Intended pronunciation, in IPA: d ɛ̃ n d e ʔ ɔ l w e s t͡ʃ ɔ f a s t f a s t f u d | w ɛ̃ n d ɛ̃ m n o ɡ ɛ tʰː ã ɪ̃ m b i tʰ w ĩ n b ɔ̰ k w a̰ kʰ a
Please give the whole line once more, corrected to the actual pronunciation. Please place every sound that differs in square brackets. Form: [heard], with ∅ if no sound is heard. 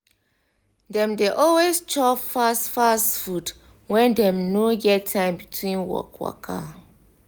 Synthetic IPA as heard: d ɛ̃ [m] d e ʔ ɔ l w e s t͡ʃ ɔ f a s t f a s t f u d | w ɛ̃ n d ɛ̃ m n o ɡ ɛ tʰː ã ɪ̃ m b i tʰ w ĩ n [w] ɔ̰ k w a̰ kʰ a